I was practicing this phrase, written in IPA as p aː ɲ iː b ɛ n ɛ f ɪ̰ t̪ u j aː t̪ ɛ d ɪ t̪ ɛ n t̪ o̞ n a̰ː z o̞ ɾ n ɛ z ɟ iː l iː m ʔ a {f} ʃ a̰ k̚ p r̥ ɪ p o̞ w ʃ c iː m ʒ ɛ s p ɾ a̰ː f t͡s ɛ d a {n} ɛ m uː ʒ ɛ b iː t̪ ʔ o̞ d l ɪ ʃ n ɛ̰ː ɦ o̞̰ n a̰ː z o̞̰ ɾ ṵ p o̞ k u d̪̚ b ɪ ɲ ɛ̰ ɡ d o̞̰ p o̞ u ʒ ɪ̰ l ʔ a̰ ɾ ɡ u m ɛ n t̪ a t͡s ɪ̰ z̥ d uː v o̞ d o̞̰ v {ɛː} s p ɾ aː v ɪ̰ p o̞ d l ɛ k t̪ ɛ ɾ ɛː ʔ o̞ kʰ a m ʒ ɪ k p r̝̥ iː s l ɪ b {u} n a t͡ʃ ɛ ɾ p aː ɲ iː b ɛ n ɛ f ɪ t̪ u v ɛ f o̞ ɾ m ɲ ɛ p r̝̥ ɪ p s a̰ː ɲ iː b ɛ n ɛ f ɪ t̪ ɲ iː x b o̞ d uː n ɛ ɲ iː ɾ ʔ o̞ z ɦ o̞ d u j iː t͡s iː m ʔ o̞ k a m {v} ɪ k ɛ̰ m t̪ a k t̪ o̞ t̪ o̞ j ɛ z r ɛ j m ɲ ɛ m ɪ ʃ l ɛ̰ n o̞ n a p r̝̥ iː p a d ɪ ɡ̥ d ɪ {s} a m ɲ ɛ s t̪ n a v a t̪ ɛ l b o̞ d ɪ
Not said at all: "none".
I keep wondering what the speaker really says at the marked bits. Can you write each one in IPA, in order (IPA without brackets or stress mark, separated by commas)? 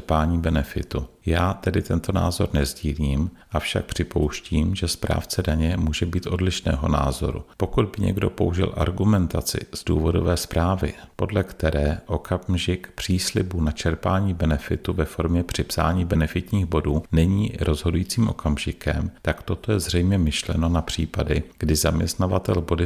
f, ɲ, ɛː, u, ʒ, z